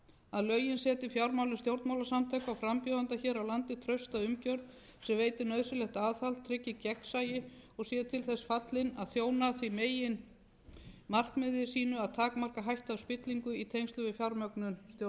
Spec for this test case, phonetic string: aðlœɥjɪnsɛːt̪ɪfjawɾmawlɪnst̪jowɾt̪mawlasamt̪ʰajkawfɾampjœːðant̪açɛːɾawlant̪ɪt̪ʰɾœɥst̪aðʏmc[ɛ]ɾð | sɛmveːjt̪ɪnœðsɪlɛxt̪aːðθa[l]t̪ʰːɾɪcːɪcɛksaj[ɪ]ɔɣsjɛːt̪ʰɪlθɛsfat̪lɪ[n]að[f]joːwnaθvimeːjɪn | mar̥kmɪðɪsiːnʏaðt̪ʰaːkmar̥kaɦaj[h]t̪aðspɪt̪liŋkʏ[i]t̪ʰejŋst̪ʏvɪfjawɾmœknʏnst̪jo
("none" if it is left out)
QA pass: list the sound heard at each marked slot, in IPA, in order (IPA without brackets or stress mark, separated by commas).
œ, l, ɪ, n, θ, h, i